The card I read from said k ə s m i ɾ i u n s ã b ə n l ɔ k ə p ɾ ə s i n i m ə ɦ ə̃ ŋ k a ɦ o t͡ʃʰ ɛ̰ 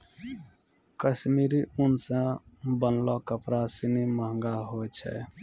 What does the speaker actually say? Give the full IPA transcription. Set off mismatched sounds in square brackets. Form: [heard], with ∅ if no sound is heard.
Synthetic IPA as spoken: k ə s m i ɾ i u n s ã b ə n l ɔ k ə p ɾ [a] s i n i m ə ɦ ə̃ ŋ [ɡ] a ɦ o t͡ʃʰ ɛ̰